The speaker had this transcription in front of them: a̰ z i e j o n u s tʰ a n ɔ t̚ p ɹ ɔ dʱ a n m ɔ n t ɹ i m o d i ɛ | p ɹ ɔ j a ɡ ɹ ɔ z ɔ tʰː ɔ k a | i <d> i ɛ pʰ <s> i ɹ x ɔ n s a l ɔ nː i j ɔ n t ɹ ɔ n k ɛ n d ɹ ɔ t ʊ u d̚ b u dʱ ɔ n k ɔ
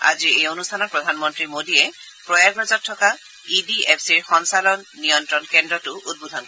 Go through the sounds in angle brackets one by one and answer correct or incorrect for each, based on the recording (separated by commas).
correct, correct